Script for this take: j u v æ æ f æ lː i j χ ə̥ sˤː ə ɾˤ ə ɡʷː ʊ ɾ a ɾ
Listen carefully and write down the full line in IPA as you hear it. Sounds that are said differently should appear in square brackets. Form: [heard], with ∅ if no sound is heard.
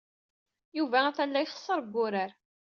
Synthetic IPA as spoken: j u v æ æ [θ] æ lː [æ] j χ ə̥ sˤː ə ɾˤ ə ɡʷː ʊ ɾ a ɾ